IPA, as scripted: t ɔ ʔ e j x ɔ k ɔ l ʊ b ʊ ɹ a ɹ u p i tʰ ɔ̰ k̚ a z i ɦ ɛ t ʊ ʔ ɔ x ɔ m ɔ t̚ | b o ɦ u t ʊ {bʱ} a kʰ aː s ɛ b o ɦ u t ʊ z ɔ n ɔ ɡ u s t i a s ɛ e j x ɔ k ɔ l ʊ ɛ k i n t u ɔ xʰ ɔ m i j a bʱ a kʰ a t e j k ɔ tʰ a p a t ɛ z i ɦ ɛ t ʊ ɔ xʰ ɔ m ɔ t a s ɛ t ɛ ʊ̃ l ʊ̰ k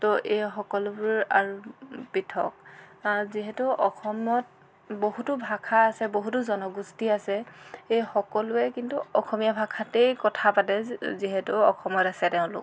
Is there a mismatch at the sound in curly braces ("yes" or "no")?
no